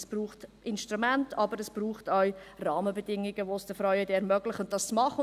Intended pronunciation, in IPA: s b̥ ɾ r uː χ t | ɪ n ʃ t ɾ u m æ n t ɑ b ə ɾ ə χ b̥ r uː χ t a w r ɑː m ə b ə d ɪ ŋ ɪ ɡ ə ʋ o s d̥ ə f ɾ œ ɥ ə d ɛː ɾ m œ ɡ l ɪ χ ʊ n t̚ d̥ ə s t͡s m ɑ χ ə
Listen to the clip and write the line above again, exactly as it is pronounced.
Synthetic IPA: s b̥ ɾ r uː χ t | ɪ n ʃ t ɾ u m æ n t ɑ b ə ɾ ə s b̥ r uː χ t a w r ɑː m ə b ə d ɪ ŋ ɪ ɡ ə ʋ o s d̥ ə f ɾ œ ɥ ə d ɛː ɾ m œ ɡ l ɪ χ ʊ n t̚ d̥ ɑ s t͡s m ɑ χ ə

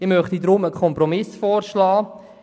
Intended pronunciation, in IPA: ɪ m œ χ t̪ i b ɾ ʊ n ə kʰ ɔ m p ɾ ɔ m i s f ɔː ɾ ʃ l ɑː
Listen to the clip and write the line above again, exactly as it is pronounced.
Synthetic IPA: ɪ m œ χ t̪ i d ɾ ʊ m ə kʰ ɔ m p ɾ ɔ m ɪ s f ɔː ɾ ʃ l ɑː

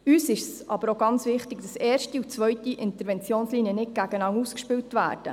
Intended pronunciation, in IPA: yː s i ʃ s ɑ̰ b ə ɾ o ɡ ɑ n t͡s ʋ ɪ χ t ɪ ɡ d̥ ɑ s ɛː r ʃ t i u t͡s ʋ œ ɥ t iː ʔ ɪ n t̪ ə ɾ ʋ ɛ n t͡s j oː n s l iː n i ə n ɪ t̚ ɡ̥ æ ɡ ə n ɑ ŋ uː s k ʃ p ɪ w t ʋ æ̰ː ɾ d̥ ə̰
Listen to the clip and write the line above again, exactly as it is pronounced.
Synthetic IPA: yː s ɪ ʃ s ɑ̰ b ə ɾ o ɡ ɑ n t͡s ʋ ɪ χ t ɪ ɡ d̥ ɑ s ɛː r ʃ t i u t͡s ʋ œ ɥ t i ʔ ɪ n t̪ ə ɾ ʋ ɛ n t͡s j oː n s l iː n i ə n ɪ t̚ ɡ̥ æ ɡ ə n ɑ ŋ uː s k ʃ p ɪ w t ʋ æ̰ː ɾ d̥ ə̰

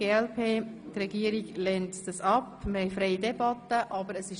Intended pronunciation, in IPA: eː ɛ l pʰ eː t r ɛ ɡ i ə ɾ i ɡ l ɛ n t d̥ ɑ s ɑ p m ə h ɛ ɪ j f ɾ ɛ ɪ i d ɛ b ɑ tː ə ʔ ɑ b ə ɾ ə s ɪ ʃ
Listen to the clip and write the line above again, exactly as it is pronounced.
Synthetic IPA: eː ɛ l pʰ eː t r ɛ ɡ i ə ɾ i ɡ l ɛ n t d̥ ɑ s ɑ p m ə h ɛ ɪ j f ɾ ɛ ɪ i d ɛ b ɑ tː ə ʔ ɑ b ə ɾ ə s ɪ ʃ

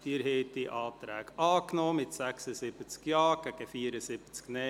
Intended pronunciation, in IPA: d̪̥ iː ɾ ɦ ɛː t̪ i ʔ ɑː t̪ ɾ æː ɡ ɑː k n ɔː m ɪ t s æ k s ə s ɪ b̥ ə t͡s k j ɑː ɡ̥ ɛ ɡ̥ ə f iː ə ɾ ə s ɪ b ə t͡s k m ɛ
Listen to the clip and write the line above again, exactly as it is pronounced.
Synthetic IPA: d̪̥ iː ɾ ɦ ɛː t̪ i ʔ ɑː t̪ ɾ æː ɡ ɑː k n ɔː m ɪ t s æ k s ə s ɪ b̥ ə t͡s k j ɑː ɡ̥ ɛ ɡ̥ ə f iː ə ɾ ə s ɪ b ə t͡s k n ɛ

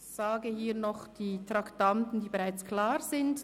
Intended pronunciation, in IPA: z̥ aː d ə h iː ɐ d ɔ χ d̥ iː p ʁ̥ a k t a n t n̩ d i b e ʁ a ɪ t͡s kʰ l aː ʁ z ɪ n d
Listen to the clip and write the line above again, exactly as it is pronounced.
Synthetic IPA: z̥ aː ɡ ə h iː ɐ n ɔ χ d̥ iː t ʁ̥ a k t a n t n̩ d iː b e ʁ a ɪ t͡s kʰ l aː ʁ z ɪ n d

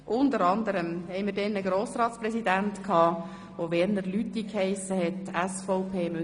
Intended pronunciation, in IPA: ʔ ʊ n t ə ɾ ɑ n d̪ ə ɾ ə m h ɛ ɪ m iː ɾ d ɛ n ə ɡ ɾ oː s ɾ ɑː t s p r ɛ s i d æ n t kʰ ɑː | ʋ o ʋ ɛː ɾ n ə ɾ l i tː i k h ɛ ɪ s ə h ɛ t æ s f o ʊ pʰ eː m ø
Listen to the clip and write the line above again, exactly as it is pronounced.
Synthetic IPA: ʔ ʊ n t ə ɾ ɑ n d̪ ə ɾ ə m h ɛ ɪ m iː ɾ d ɛ n ə ɡ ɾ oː s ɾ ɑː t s p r ɛ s i d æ n t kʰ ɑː | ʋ o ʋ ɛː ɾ n ə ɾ l y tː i k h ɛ ɪ s ə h ɛ t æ s f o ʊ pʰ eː m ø

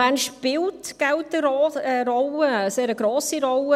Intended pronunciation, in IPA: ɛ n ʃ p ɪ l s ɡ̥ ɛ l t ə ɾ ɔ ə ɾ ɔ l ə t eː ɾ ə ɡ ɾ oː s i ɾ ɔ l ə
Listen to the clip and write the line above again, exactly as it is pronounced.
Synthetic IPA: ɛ n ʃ p ɪ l t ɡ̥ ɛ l t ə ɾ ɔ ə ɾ ɔ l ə s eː ɾ ə ɡ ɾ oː s i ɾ ɔ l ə

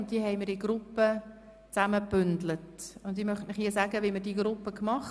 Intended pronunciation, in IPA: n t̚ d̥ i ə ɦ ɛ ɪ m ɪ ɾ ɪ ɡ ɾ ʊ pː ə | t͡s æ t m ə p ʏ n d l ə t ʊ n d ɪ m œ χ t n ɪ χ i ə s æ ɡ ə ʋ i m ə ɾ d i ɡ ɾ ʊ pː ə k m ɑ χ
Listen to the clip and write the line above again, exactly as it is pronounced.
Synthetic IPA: n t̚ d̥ i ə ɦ ɛ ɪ m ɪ ɾ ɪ ɡ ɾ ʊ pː ə | t͡s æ m ə p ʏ n d l ə t ʊ n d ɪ m œ χ t n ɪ χ i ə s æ ɡ ə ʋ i m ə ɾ d i ɡ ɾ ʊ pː ə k m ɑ χ

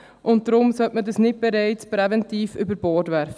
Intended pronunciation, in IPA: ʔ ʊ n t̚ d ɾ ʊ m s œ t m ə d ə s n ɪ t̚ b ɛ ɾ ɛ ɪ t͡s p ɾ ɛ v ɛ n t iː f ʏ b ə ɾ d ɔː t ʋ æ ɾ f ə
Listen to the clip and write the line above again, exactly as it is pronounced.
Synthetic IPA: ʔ ʊ n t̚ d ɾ ʊ m s œ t m ə d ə s n ɪ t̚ b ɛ ɾ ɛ ɪ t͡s p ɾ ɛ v ɛ n t iː f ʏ b ə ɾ b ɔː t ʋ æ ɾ f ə

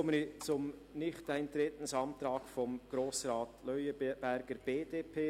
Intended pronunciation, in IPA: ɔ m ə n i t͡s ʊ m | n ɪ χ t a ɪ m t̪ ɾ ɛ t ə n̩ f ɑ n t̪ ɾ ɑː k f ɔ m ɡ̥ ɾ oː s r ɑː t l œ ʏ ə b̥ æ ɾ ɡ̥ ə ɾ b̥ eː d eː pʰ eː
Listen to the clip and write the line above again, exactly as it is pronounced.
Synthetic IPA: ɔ m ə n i t͡s ʊ m | n ɪ χ t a ɪ n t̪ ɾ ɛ t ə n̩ s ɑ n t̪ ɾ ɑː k f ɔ m ɡ̥ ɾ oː s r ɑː t l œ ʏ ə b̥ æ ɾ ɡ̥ ə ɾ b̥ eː d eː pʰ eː

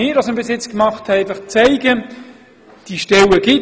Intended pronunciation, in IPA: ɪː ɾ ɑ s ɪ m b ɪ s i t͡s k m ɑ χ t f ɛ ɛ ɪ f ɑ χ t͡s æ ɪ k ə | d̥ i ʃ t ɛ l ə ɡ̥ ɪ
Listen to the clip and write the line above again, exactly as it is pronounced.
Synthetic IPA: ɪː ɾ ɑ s ɪ m b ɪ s ɪ t͡s k m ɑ χ t h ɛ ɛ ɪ f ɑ χ t͡s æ ɪ ɡ ə | d̥ i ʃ t ɛ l ə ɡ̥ ɪ

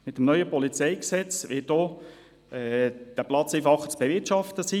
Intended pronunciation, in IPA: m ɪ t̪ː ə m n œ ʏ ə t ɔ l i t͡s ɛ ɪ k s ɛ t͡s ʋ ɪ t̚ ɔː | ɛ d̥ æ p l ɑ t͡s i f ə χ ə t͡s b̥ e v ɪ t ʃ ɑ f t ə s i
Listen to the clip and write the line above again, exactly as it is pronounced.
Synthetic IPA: m ɪ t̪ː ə m n œ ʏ ə p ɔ l i t͡s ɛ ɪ k s ɛ t͡s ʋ ɪ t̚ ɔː | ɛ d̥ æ p l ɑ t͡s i f ɑ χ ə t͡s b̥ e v ɪ t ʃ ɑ f t ə s i

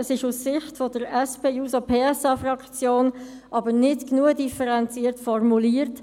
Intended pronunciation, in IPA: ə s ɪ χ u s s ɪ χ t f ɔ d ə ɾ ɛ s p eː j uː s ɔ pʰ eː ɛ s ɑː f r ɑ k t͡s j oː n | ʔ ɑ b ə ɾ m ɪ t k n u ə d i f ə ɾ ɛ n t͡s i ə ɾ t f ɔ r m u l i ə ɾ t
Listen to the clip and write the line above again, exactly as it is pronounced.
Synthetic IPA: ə s ɪ ʃ u s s ɪ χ t f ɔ d ə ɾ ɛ s p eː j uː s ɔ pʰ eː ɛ s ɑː f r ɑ k t͡s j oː n | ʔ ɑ b ə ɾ n ɪ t k n u ə d i f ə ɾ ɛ n t͡s i ə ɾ t f ɔ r m u l i ə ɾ t

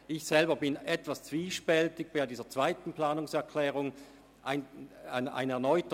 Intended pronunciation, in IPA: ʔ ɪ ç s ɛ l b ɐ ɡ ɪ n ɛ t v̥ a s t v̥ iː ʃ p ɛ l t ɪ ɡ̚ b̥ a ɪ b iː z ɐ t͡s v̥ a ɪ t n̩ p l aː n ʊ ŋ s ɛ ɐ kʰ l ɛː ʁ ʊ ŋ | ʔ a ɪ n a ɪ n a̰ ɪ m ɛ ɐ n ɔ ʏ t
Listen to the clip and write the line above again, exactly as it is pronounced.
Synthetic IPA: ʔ ɪ ç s ɛ l b ɐ b ɪ n ɛ t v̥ a s t͡s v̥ iː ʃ p ɛ l t ɪ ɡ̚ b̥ a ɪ d iː z ɐ t͡s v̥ a ɪ t n̩ p l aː n ʊ ŋ s ɛ ɐ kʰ l ɛː ʁ ʊ ŋ | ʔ a ɪ n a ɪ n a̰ ɪ n ɛ ɐ n ɔ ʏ t

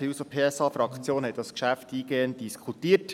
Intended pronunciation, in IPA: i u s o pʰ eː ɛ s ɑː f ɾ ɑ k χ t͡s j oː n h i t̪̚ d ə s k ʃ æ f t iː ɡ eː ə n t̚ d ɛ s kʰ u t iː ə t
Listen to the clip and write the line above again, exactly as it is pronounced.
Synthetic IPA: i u s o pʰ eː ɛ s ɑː f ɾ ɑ k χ t͡s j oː n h ɛ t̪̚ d ɑ s k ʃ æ f t iː ɡ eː ə n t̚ d i s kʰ u t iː ə t

